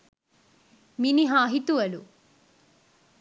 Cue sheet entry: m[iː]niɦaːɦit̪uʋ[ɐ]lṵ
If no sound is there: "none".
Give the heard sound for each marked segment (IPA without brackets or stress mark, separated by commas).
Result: i, ɐ